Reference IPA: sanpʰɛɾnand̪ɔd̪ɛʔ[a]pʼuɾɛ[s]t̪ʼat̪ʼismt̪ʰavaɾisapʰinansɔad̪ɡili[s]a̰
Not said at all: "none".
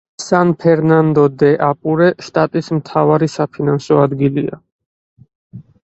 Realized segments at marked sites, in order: a, ʃ, none

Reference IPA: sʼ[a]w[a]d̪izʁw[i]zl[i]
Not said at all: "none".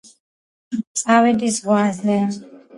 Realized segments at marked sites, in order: a, ɛ, a, ɛ

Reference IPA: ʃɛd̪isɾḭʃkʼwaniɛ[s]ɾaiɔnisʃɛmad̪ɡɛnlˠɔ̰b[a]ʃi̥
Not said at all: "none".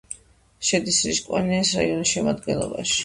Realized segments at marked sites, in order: s, a

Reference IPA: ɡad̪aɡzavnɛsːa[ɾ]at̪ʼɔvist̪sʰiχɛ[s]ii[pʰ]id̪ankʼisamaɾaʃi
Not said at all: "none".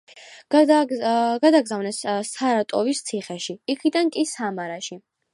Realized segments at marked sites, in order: ɾ, ʃ, kʰ

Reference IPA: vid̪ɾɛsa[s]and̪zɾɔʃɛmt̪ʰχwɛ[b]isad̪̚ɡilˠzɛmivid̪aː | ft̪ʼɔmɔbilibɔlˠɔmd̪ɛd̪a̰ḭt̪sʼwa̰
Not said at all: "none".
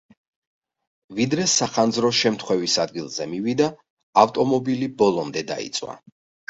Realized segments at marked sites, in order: χ, v

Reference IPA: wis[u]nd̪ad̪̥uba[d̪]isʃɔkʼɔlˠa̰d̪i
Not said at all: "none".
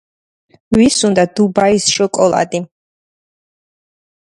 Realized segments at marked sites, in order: u, none

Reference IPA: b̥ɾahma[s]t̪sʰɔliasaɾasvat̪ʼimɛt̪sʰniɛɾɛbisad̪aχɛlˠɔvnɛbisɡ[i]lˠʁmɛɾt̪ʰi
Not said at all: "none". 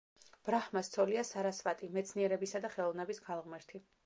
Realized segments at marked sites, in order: s, a

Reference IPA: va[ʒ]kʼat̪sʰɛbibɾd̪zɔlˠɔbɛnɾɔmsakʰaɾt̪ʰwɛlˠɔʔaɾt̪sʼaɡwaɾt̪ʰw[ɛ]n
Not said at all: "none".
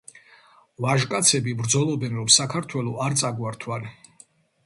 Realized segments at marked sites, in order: ʒ, a

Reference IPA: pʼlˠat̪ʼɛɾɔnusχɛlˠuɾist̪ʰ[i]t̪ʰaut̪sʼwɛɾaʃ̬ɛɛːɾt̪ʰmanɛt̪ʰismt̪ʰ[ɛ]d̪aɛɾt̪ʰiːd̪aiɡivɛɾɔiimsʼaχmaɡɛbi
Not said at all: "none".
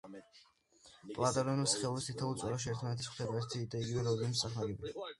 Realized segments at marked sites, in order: i, ɛ

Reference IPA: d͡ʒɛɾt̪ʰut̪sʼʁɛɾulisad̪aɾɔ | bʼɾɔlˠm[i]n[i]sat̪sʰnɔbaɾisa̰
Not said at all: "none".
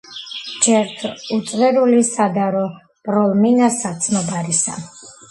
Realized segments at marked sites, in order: i, a

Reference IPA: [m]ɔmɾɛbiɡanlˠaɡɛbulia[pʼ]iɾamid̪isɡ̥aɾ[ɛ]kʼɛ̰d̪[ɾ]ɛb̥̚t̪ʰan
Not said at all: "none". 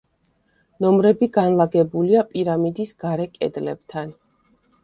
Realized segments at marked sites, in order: n, pʼ, ɛ, l

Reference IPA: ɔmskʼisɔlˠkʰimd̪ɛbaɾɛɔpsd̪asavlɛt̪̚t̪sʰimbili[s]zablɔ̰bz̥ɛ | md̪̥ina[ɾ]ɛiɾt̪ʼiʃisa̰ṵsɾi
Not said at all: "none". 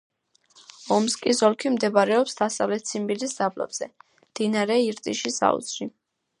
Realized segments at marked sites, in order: s, ɾ

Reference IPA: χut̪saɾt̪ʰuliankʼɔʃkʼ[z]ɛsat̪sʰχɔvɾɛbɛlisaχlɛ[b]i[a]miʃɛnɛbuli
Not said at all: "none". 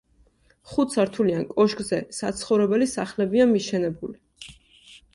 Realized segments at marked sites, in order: z, b, a

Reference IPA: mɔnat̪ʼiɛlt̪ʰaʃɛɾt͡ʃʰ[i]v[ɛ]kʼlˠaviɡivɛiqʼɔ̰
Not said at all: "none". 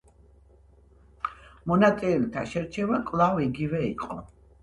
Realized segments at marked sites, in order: ɛ, a

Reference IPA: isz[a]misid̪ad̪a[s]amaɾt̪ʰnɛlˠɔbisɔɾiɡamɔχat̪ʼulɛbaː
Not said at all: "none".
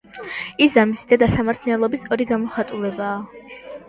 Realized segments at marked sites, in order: a, s

